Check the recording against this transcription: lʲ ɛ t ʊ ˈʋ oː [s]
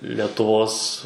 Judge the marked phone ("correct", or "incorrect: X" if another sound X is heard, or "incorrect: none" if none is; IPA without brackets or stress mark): correct